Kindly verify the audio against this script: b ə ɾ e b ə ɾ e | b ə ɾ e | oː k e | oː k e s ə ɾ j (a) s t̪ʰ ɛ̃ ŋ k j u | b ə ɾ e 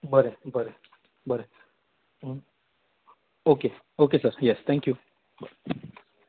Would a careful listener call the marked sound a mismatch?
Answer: yes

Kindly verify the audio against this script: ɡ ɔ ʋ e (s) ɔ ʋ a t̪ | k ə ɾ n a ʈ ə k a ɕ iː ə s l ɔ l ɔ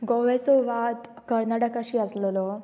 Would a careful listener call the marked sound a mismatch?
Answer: no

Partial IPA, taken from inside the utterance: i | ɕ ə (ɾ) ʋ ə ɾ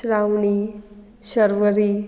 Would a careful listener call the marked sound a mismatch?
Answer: no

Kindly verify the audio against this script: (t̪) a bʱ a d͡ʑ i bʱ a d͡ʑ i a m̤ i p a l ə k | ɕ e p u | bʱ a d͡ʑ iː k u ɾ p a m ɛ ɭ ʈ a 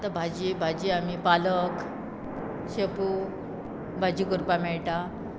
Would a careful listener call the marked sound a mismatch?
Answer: no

